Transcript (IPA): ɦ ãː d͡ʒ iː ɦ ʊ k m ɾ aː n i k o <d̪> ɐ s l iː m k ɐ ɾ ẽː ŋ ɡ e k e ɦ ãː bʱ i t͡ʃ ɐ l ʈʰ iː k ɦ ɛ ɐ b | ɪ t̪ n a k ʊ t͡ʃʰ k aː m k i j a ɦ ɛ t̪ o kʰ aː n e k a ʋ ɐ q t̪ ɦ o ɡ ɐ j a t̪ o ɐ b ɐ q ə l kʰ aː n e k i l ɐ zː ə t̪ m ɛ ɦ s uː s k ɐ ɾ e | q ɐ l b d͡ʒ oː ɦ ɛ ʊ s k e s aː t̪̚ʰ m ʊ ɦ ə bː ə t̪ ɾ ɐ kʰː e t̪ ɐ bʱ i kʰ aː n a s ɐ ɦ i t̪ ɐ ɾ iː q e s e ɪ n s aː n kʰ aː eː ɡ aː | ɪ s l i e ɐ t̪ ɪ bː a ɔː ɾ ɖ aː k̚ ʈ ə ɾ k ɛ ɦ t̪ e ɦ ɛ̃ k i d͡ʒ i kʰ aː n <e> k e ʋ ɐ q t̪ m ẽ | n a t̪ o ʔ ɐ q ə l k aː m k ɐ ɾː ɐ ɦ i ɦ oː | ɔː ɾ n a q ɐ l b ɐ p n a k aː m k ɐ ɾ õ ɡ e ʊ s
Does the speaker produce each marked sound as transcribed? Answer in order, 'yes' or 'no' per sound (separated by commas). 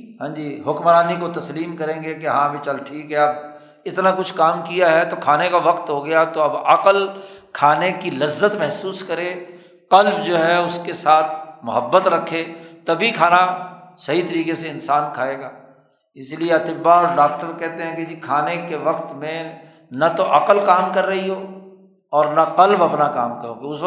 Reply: no, yes